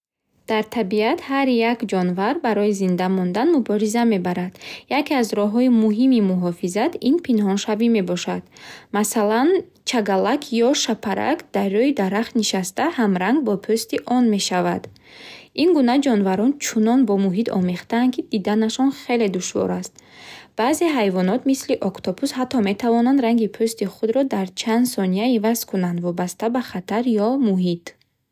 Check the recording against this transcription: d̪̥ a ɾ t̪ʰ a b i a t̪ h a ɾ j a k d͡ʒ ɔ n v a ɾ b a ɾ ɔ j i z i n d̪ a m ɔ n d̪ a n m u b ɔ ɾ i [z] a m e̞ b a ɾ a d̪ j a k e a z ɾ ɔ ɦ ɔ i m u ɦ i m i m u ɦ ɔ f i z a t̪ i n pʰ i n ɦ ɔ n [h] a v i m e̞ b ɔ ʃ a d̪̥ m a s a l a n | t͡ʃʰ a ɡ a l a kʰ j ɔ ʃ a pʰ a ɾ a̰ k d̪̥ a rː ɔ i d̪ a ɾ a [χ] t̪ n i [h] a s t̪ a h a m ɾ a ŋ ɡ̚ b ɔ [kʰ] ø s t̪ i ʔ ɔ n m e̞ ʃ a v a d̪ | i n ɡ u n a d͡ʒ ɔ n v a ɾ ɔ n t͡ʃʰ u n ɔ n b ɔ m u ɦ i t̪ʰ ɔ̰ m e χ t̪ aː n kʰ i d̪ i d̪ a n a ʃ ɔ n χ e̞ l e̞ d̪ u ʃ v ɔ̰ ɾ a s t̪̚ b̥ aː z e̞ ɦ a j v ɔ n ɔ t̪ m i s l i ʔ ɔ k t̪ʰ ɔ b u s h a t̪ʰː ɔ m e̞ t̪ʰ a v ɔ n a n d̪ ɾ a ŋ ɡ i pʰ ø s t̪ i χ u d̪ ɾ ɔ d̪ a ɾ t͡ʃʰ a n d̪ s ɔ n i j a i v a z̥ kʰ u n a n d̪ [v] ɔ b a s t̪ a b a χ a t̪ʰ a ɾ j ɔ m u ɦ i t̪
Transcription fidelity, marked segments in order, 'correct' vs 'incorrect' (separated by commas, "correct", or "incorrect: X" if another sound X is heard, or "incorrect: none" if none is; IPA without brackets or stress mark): correct, incorrect: ʃ, correct, incorrect: ʃ, incorrect: pʰ, correct